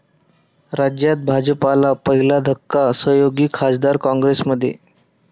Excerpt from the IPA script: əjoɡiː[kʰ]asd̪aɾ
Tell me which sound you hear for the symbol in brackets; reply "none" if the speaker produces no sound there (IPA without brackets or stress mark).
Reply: kʰ